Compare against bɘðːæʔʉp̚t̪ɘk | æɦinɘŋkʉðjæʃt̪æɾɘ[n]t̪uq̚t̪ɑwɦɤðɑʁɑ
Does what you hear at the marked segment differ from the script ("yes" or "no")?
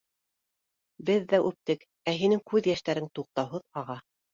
yes